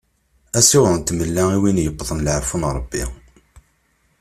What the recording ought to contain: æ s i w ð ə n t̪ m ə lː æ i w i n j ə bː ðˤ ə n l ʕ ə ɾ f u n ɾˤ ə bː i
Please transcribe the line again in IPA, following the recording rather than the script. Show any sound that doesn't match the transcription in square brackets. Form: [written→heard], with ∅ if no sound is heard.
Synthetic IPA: æ s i w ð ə n t̪ m ə lː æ i w i n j ə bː ðˤ ə n l ʕ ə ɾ f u n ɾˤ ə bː i

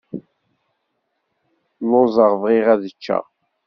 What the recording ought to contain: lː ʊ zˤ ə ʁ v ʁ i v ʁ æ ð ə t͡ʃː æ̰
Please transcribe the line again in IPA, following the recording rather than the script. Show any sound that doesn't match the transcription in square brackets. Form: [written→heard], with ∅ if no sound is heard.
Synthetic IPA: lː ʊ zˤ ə ʁ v ʁ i [v→∅] ʁ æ ð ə t͡ʃː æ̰

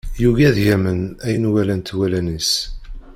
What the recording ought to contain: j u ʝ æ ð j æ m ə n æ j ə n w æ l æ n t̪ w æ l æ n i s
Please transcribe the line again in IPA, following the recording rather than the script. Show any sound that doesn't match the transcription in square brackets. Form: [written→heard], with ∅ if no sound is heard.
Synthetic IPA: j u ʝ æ ð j æ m ə n æ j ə n w æ l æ n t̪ w æ l æ n i s

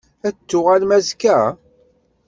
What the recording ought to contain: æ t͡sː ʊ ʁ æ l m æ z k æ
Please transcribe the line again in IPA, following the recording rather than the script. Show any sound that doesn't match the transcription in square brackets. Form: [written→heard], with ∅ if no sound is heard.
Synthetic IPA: æ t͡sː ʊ ʁ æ l m æ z k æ

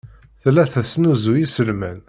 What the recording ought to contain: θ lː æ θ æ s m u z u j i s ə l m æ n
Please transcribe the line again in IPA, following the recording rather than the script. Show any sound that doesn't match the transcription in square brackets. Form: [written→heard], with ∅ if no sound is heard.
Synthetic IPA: θ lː æ θ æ s [m→n] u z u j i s ə l m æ n

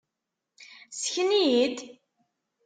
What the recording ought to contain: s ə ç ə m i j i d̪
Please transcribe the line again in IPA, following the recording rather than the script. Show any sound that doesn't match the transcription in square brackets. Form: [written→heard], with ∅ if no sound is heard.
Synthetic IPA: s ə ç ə [m→n] i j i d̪

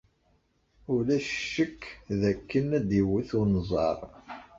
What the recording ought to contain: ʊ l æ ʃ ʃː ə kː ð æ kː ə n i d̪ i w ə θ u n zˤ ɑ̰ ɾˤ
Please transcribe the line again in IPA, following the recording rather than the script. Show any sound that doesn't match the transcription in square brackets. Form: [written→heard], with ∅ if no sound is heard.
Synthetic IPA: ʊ l æ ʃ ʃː ə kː ð æ kː ə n [i→æ] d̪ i w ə θ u n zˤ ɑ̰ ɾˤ

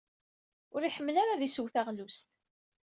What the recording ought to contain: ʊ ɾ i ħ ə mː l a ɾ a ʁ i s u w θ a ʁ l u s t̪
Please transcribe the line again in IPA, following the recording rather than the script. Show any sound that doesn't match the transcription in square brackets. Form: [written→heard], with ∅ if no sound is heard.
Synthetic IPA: ʊ ɾ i ħ ə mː l a ɾ a [ʁ→ð] i s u w θ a ʁ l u s t̪

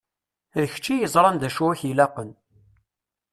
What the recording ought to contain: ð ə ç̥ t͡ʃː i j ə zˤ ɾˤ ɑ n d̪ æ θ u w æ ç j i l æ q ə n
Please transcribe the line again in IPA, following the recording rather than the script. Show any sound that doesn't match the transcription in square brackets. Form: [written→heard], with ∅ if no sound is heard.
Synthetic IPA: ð ə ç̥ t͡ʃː i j ə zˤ ɾˤ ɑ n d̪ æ [θ→ʃ] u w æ ç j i l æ q ə n

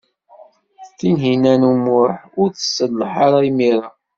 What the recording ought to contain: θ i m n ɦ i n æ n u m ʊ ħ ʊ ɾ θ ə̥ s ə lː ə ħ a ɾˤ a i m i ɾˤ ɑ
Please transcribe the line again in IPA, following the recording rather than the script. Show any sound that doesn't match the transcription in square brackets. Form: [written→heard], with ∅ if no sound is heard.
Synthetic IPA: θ i [m→∅] n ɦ i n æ n u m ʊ ħ ʊ ɾ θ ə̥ s ə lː ə ħ a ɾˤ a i m i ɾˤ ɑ

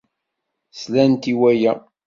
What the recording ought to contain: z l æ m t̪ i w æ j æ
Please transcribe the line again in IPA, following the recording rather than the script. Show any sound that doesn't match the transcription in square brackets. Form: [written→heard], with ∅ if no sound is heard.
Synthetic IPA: [z→s] l æ [m→n] t̪ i w æ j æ

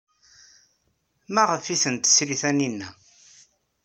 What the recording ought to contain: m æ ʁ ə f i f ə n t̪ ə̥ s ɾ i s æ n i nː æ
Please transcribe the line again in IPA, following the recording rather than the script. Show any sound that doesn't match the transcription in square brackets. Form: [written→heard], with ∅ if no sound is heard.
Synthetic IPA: m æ ʁ ə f i [f→θ] ə n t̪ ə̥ s ɾ i [s→θ] æ n i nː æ

